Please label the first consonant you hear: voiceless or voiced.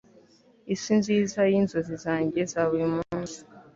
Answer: voiceless